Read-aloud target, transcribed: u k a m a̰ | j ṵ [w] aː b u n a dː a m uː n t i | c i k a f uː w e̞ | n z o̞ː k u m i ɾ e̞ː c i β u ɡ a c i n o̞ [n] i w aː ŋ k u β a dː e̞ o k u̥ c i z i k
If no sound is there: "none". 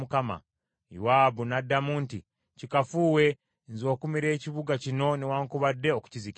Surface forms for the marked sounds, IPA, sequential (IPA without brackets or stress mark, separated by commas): w, n